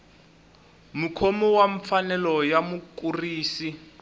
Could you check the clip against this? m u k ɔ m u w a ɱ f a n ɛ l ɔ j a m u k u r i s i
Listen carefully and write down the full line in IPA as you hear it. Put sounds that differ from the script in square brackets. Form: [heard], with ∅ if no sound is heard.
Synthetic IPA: m u [kʰ] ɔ m [ɔ] w a ɱ f a n ɛ l ɔ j a m u k u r [iː] s i